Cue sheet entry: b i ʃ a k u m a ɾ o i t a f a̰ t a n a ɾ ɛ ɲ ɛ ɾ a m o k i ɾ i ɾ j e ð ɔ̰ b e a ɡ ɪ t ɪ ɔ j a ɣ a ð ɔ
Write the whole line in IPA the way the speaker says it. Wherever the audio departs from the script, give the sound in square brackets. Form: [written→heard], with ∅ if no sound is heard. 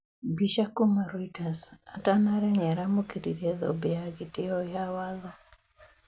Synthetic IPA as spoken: b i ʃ a k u m a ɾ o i t a [f→s] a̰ t a n a ɾ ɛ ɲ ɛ ɾ a m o k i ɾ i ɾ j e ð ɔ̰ b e a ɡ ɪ t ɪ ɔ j a [ɣ→w] a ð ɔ